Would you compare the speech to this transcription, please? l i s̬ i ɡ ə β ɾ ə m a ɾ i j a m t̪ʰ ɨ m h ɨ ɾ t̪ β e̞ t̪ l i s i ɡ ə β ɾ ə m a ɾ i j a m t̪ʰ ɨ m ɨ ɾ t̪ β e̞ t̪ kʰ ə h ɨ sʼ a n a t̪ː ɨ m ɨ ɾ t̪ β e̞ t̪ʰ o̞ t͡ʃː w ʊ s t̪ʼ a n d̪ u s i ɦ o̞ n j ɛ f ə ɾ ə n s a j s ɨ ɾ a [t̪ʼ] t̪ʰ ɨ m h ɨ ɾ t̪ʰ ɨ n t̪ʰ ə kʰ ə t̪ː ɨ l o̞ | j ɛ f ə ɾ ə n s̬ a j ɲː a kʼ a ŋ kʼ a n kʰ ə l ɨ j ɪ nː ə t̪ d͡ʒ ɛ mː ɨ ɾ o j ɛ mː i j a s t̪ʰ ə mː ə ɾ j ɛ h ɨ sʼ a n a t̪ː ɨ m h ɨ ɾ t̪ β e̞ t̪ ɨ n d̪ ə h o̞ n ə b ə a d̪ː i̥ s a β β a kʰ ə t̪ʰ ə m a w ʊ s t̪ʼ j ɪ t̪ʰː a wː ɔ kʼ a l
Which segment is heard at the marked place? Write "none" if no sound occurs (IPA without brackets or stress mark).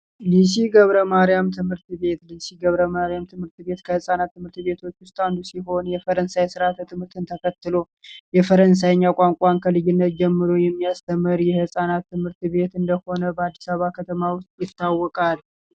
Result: t̪